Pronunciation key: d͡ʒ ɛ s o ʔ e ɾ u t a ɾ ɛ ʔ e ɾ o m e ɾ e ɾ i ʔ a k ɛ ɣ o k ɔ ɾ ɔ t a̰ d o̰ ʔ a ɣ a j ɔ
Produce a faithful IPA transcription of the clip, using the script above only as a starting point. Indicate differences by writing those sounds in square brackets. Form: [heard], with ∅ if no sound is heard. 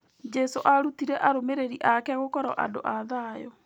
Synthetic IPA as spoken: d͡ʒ ɛ s o ʔ [a] ɾ u t [i] ɾ ɛ ʔ [a] ɾ o m e ɾ e ɾ i ʔ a k ɛ ɣ o k ɔ ɾ ɔ [ʔ] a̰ d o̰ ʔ a [ð] a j ɔ